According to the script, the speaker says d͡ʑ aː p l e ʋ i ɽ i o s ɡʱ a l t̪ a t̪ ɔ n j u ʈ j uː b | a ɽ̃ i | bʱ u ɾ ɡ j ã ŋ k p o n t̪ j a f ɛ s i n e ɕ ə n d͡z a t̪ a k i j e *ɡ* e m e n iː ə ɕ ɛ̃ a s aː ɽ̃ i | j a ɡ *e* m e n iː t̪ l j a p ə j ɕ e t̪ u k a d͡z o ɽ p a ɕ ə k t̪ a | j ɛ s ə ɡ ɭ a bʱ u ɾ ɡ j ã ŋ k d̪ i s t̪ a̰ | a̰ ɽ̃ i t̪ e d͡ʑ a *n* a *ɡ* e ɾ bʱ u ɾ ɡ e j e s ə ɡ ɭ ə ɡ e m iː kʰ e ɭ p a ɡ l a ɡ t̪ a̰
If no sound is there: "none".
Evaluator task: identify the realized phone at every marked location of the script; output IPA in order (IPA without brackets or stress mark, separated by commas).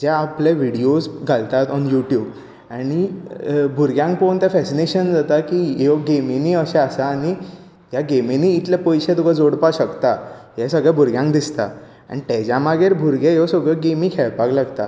ɡ, e, m, ɡ